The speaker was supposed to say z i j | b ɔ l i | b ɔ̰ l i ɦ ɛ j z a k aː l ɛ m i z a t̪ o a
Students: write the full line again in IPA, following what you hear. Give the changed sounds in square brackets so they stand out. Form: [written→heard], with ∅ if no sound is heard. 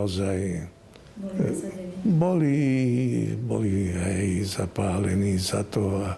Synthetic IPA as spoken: z [i→a] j | b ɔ l i | b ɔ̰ l i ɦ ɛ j z a [k→p] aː l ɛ [m→n] i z a t̪ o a